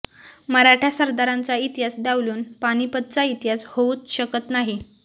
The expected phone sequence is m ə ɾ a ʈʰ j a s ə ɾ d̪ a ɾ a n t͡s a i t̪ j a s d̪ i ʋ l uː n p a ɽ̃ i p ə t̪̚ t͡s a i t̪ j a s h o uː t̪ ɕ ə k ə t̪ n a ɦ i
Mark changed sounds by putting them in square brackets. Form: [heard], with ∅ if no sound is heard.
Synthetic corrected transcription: m ə ɾ a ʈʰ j a s ə ɾ d̪ a ɾ a n t͡s a i t̪ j a s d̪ [a] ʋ l uː n p a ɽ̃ i p ə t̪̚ t͡s a i t̪ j a s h o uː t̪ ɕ ə k ə t̪ n a ɦ i